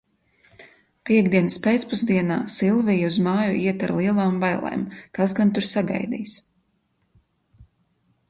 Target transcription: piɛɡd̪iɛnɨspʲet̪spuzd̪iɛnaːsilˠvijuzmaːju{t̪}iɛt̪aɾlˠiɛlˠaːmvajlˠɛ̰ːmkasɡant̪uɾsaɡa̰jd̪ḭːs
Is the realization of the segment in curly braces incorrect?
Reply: yes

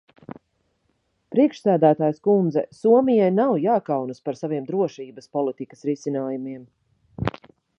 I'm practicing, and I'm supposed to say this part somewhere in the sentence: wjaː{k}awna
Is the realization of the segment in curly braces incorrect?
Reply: no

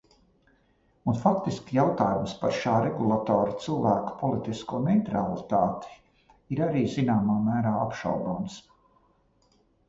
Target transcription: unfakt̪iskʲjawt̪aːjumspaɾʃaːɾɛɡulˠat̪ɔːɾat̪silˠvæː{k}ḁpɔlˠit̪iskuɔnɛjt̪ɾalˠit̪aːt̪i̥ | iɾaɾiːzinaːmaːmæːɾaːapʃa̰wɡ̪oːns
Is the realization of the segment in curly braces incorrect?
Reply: no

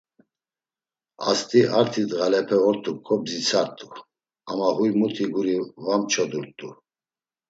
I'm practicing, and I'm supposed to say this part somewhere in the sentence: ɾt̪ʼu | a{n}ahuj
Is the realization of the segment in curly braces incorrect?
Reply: yes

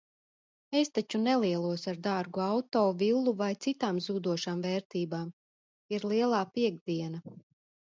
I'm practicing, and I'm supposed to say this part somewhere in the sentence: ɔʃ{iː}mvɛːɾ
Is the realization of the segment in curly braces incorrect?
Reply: yes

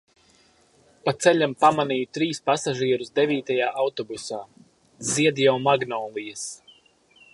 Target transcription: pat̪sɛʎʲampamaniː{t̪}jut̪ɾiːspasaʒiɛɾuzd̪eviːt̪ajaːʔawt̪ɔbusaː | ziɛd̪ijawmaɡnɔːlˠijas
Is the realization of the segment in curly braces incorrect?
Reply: yes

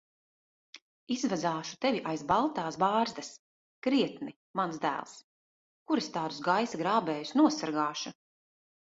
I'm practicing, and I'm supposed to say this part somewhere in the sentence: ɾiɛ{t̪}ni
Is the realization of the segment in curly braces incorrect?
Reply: no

